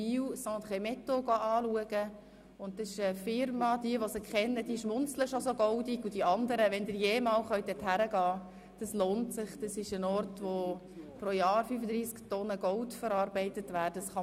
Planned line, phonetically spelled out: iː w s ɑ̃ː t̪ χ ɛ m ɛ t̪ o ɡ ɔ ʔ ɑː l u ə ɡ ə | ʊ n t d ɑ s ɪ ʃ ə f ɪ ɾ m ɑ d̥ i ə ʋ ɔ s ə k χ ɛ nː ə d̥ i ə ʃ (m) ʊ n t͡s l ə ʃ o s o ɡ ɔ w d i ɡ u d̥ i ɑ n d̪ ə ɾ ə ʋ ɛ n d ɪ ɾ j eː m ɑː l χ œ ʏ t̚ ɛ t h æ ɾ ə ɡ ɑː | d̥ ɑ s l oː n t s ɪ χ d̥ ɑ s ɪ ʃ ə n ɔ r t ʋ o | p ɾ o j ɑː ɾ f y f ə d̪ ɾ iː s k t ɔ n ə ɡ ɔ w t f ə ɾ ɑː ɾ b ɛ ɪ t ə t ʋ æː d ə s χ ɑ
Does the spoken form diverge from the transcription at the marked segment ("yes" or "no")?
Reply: no